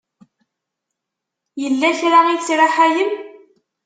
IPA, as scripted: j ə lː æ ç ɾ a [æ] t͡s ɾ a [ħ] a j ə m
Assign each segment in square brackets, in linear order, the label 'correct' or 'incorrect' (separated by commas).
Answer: incorrect, correct